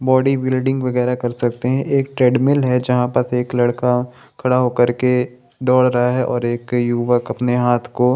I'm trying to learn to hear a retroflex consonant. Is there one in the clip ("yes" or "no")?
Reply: yes